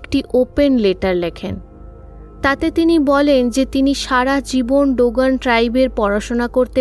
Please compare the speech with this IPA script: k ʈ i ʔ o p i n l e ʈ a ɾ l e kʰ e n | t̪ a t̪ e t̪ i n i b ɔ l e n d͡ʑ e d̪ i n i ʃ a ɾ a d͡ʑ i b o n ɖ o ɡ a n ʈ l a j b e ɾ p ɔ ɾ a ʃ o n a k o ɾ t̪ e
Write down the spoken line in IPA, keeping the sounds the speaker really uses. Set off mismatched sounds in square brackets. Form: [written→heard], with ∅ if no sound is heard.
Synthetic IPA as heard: k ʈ i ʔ o p [i→e] n l e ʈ a ɾ l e kʰ e n | t̪ a t̪ e t̪ i n i b ɔ l e n d͡ʑ e [d̪→t̪] i n i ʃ a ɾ a d͡ʑ i b o n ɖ o ɡ a n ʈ [l→ɾ] a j b e ɾ p ɔ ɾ a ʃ o n a k o ɾ t̪ e